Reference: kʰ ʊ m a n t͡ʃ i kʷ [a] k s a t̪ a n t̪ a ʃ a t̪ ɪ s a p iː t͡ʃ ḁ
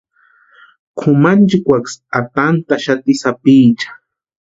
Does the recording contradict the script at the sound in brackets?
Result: no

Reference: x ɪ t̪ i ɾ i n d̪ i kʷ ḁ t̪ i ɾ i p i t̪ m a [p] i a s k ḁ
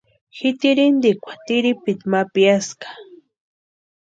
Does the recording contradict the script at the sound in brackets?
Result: no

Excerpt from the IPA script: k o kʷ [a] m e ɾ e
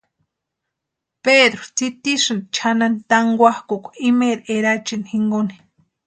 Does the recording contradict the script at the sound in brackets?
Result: yes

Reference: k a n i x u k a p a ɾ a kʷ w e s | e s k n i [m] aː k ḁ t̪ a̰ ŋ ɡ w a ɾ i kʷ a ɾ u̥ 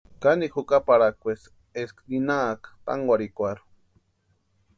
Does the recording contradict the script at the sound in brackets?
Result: yes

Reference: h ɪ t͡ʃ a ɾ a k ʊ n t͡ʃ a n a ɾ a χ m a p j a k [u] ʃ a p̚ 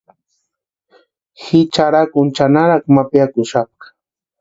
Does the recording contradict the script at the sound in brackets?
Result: yes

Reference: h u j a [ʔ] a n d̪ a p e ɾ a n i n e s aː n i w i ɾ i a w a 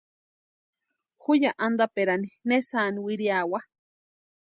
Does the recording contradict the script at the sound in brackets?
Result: no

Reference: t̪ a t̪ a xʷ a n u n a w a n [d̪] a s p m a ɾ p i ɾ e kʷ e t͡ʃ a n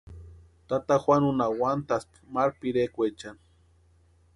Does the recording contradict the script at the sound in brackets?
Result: yes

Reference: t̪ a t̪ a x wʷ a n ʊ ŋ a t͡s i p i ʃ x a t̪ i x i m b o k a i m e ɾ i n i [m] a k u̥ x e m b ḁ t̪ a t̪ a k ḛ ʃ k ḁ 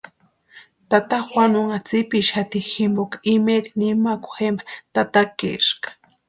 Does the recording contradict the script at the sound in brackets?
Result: no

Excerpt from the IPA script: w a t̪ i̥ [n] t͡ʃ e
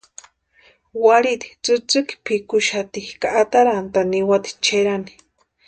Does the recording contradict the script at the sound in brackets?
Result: yes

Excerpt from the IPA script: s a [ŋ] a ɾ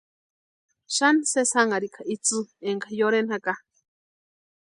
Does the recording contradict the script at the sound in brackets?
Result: no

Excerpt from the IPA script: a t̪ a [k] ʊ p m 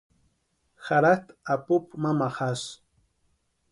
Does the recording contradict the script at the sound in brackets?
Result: yes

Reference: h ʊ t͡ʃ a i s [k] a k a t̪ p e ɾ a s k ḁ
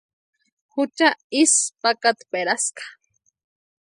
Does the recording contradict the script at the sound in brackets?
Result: yes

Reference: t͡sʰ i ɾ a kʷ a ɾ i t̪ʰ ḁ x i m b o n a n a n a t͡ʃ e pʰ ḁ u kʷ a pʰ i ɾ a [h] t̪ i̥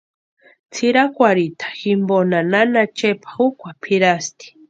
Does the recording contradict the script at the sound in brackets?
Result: yes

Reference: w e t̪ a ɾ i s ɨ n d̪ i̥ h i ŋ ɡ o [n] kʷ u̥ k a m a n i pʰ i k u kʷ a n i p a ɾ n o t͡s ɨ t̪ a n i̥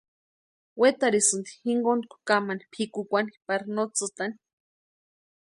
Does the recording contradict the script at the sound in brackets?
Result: no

